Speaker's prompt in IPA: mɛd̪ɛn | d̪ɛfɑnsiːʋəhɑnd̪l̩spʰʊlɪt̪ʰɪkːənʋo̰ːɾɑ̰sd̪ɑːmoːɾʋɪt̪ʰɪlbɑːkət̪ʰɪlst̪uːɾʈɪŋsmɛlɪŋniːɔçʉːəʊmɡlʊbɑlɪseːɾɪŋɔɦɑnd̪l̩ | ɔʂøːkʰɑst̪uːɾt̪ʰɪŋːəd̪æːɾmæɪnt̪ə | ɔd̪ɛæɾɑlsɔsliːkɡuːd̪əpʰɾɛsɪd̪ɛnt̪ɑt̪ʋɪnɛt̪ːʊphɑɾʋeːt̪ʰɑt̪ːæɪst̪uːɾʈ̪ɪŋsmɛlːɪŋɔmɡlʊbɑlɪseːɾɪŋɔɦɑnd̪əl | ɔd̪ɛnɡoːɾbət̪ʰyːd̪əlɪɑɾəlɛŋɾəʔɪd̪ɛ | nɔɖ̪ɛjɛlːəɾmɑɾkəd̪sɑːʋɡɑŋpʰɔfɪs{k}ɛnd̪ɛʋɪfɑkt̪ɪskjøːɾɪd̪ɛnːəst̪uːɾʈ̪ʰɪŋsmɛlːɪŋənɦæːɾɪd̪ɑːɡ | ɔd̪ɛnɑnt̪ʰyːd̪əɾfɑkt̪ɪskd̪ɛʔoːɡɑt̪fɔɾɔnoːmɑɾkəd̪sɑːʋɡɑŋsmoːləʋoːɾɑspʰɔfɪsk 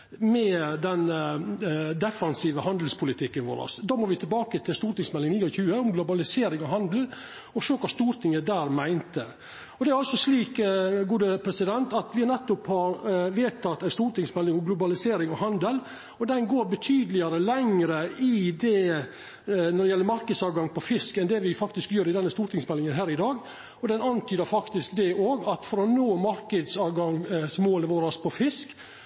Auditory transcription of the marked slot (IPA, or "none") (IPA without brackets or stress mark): k